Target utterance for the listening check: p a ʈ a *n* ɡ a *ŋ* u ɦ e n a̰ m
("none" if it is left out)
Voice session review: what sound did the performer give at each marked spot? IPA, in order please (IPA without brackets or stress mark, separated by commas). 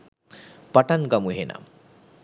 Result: n, m